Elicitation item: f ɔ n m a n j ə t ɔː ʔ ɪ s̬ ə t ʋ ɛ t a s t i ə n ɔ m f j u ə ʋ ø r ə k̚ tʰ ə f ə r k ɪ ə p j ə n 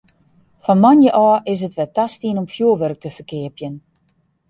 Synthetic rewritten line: f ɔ n m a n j ə ʔ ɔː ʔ ɪ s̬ ə t ʋ ɛ t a s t i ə n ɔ m f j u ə ʋ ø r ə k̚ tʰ ə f ə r k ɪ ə p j ə n